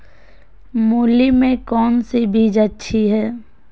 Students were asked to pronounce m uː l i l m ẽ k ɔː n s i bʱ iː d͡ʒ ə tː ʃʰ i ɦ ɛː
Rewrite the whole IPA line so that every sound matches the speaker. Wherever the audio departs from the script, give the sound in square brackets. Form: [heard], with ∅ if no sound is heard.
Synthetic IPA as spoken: m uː l i [∅] m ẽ k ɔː n s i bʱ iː d͡ʒ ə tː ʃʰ i ɦ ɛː